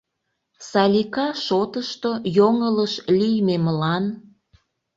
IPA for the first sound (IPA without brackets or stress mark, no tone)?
s